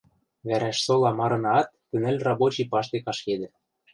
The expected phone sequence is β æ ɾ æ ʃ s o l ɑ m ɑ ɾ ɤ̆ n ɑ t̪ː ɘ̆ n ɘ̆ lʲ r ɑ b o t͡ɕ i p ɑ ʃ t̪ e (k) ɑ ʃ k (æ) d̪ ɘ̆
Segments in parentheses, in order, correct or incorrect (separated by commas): correct, incorrect